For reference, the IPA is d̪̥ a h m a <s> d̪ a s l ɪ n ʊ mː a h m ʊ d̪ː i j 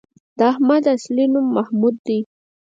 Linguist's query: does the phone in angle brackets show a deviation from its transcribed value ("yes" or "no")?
yes